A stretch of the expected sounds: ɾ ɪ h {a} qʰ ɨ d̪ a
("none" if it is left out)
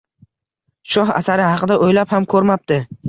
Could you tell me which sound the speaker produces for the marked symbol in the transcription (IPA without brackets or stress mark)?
ɑ